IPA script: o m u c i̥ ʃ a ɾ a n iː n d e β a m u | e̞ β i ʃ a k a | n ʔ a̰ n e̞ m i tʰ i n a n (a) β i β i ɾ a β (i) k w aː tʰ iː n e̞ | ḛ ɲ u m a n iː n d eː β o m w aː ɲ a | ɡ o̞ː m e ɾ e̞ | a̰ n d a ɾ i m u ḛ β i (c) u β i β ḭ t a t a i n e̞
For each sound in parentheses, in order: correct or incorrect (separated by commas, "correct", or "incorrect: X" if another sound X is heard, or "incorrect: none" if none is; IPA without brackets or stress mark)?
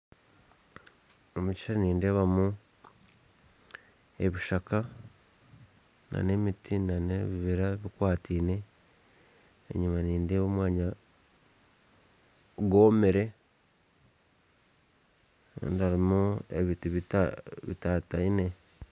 incorrect: e, correct, incorrect: t